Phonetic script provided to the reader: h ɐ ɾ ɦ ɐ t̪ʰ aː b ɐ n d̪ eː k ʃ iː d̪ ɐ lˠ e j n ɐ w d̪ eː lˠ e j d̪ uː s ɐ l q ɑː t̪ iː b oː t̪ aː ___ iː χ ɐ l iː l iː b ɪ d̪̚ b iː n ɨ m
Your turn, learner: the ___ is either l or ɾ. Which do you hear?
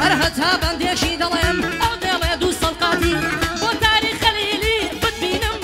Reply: ɾ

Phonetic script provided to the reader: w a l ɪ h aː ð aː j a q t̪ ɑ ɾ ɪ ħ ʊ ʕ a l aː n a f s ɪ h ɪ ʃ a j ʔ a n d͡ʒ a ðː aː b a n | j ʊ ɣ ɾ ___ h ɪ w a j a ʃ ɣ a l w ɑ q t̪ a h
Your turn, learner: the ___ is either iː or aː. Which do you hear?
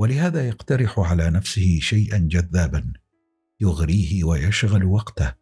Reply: iː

